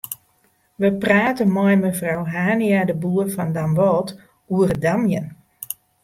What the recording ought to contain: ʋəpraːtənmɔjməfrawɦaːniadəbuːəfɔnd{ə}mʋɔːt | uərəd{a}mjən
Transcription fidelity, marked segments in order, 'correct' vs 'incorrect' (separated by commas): incorrect, correct